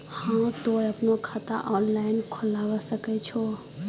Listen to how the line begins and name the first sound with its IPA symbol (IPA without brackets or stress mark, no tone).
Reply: h